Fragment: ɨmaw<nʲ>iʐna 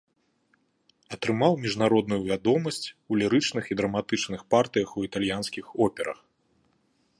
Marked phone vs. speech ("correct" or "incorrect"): incorrect